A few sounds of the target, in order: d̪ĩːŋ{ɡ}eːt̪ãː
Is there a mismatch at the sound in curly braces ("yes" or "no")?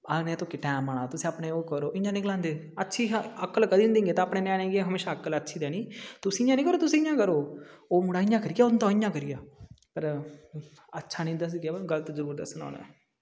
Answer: no